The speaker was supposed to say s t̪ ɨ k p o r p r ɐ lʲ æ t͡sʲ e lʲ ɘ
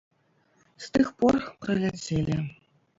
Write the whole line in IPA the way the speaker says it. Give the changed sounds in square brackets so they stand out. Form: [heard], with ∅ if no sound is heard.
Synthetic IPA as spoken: s t̪ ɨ [x] p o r p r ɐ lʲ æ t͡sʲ e lʲ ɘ